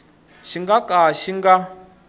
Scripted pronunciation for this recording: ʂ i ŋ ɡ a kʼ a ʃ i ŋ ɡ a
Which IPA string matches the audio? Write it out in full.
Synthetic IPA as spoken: ʃ i ŋ ɡ a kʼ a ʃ i ŋ ɡ a